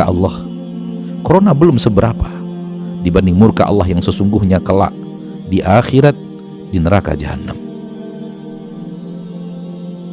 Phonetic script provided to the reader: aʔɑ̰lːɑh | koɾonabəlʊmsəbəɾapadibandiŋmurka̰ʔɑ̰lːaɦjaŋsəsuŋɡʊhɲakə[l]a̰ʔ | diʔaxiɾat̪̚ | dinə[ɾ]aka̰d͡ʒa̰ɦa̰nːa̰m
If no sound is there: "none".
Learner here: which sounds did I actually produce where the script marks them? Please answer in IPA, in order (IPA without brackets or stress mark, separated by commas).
l, ɾ